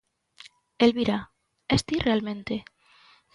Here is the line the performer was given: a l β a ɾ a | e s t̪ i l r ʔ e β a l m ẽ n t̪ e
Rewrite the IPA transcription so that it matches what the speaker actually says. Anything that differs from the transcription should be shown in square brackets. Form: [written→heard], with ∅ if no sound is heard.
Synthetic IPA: [a→e] l β [a→i] ɾ a | e s t̪ i [l→∅] r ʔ e [β→∅] a l m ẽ n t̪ e